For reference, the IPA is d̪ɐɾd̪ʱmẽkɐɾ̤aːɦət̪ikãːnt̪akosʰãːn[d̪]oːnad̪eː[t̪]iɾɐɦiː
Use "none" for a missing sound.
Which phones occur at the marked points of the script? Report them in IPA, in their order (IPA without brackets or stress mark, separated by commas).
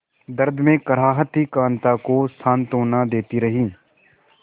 t̪, t̪